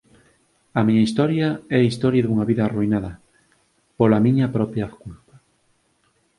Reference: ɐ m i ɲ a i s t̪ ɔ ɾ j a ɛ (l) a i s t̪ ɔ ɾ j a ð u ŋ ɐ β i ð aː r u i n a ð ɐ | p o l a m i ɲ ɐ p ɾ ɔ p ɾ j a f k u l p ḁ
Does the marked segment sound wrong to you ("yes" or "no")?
yes